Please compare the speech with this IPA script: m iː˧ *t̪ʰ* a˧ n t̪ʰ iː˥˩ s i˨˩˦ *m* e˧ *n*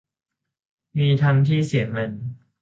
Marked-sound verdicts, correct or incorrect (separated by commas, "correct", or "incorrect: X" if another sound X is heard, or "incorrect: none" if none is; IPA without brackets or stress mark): correct, correct, correct